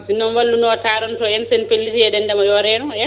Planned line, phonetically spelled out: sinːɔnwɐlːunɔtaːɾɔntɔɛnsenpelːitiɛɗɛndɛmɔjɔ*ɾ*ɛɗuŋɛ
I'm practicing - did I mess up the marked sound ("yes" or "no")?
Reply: no